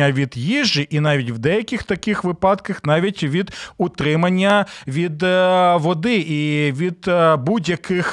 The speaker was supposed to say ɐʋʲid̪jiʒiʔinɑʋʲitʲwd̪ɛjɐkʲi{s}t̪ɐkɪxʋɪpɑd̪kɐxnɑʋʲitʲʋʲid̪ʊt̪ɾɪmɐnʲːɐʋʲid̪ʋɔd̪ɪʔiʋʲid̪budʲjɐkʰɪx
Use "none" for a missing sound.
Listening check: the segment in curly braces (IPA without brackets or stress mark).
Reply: x